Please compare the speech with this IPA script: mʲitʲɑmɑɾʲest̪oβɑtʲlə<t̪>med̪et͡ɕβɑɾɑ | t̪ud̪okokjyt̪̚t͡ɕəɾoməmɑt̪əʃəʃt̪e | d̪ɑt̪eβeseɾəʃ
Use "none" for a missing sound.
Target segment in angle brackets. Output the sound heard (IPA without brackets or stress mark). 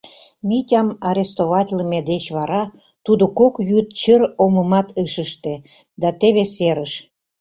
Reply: none